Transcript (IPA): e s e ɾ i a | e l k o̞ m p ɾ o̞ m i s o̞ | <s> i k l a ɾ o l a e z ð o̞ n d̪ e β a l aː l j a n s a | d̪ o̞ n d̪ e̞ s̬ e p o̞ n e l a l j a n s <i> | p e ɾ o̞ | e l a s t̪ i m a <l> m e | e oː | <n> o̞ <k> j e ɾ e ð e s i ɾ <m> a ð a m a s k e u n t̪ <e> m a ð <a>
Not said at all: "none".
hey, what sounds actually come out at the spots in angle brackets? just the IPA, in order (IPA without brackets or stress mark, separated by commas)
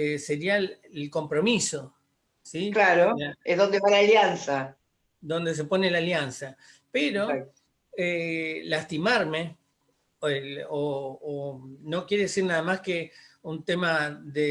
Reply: s, a, ɾ, n, k, n, e, e